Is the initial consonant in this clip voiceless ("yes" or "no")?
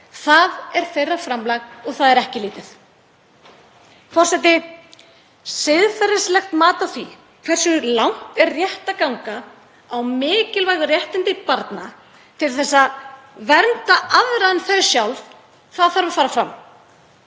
yes